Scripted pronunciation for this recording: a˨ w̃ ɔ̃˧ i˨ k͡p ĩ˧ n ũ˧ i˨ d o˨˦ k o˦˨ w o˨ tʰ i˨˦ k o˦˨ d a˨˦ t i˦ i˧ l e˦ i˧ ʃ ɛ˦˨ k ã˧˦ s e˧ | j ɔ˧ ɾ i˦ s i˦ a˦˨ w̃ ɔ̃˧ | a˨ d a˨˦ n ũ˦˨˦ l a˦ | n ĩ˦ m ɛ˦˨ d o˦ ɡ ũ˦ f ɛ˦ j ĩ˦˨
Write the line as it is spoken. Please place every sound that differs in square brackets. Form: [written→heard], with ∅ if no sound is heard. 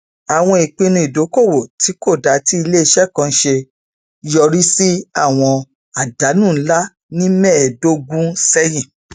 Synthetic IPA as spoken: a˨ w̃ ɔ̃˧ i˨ k͡p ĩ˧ n ũ˧ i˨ d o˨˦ k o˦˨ w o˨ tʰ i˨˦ k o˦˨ d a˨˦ t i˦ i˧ l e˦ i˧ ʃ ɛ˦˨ k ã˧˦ [s→ʃ] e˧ | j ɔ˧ ɾ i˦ s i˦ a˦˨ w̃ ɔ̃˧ | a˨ d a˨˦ n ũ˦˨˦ l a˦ | n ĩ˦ m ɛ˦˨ d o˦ ɡ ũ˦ [f→s] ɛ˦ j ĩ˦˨

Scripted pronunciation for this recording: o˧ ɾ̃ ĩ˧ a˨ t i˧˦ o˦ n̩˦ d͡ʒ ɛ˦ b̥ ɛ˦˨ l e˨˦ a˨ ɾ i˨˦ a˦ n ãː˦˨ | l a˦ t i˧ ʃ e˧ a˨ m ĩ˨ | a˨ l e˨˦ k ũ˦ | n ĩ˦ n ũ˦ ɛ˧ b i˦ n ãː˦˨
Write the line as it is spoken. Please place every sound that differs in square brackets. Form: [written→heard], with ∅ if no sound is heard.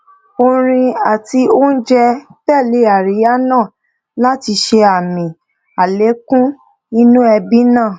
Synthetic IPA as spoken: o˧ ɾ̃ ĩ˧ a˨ t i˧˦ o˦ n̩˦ d͡ʒ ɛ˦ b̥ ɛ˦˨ l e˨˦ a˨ ɾ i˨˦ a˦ n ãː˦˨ | l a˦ t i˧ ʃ e˧ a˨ m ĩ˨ | a˨ l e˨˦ k ũ˦ | n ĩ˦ n ũ˦ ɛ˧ b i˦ n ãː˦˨

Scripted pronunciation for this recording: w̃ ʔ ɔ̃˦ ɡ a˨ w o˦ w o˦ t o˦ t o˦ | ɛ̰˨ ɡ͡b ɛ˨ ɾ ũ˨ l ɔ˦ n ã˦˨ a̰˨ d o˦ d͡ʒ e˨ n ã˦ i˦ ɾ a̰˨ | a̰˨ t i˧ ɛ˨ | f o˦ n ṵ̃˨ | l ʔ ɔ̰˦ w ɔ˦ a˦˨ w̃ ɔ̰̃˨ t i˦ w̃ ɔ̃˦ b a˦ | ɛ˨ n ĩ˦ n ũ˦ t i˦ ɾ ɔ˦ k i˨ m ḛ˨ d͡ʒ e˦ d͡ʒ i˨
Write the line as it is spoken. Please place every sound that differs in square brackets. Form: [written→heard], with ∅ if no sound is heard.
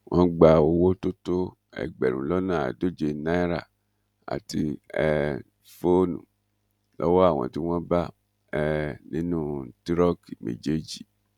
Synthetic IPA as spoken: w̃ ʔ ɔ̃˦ [ɡ→ɡ͡b] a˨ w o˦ w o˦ t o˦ t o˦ | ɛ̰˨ ɡ͡b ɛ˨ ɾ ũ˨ l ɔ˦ n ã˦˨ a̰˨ d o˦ d͡ʒ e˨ n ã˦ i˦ ɾ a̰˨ | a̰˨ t i˧ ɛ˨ | f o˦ n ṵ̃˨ | l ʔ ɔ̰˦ w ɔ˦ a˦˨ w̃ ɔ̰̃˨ t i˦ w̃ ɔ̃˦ b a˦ | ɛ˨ n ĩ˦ n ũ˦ t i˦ ɾ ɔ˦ k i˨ m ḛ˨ d͡ʒ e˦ d͡ʒ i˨

